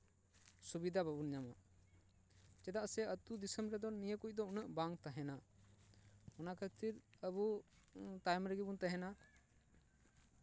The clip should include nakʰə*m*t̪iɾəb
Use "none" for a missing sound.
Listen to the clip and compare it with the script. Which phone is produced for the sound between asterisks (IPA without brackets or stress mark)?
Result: none